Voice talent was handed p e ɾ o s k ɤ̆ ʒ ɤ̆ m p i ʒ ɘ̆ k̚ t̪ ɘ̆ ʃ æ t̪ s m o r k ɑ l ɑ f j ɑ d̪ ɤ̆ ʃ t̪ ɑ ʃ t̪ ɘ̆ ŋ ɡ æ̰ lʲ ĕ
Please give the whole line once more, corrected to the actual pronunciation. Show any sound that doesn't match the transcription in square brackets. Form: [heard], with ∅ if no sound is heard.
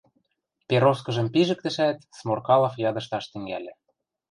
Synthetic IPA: p e ɾ o s k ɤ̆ ʒ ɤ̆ m p i ʒ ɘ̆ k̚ t̪ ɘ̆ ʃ æ t̪ s m o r k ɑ l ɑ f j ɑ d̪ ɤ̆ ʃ t̪ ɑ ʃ t̪ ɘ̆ ŋ ɡ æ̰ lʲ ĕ